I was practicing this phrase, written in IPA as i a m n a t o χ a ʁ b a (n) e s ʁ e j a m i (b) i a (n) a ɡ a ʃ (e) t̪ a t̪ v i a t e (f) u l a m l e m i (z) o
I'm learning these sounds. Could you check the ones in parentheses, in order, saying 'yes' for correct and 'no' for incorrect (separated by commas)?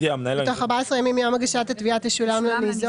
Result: no, no, no, no, no, yes